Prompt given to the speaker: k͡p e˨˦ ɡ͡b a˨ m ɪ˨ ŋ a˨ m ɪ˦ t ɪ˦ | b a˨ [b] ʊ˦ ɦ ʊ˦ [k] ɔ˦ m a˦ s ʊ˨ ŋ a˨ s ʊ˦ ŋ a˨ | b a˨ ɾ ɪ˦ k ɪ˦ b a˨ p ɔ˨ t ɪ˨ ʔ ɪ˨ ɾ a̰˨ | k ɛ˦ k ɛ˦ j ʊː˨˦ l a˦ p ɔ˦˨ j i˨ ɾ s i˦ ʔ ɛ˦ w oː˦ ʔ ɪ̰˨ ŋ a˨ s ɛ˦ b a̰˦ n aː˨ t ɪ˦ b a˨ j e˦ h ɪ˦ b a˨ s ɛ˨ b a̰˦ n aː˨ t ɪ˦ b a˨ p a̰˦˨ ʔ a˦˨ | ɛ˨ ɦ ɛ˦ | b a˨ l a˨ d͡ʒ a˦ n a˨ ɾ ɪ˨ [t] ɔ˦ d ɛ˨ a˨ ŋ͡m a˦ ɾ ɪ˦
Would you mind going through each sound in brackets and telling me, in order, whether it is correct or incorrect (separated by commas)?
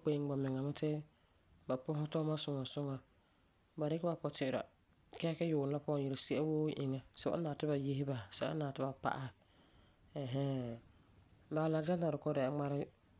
incorrect, incorrect, incorrect